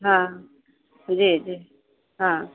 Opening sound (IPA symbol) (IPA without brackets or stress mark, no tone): ɦ